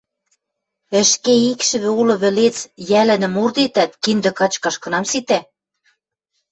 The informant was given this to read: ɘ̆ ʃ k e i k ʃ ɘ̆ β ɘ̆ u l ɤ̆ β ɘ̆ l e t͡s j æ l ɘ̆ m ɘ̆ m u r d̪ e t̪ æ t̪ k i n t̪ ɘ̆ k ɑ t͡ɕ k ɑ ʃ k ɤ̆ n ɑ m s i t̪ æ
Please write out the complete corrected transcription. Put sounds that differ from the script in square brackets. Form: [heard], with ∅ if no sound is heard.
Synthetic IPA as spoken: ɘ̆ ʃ k e i k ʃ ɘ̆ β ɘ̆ u l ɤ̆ β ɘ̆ l e t͡s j æ l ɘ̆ [n] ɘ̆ m u r d̪ e t̪ æ t̪ k i n [d̪] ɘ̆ k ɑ t͡ɕ k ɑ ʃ k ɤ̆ n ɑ m s i t̪ æ